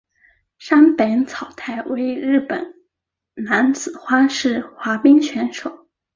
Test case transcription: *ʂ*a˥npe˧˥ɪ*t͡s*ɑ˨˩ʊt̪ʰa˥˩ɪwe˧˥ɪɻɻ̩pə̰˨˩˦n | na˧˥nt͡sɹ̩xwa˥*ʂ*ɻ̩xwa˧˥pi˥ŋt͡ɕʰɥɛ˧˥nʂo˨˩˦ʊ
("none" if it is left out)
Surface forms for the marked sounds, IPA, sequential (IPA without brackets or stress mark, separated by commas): ʂ, t͡sʰ, ʂ